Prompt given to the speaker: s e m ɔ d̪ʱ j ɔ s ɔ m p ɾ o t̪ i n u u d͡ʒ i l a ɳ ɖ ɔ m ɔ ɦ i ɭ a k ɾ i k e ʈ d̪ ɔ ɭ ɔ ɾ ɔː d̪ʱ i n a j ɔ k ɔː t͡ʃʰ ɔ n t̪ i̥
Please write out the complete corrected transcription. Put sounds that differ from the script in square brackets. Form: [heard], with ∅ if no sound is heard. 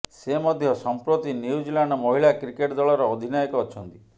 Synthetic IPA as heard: s e m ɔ d̪ʱ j ɔ s ɔ m p ɾ o t̪ i n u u d͡ʒ i l a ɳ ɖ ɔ m ɔ ɦ i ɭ a k ɾ i k e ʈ d̪ ɔ ɭ ɔ ɾ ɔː d̪ʱ i n a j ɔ k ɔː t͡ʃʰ ɔ n t̪ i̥